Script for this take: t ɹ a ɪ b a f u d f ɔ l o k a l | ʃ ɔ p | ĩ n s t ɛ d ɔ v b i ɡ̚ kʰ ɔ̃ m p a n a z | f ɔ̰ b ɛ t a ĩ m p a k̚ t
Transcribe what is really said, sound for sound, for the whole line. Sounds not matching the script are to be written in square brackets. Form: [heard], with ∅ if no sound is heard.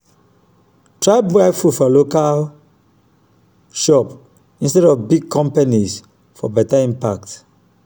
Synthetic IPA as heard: t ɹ a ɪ b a f u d f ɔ l o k a l | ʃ ɔ p | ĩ n s t ɛ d ɔ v b i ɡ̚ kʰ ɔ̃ m p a n [i] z | f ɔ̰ b ɛ t a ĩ m p a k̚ t